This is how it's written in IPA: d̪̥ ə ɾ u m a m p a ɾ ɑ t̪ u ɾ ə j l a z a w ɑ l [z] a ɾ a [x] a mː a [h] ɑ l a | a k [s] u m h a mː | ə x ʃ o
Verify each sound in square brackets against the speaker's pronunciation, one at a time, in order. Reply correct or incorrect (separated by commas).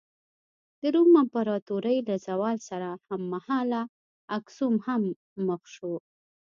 incorrect, incorrect, correct, correct